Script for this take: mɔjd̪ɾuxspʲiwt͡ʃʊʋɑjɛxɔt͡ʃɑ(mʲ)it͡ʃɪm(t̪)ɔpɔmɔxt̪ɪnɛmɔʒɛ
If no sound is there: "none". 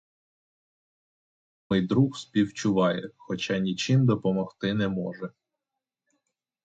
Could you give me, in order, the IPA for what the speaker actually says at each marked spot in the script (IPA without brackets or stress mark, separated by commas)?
nʲ, d̪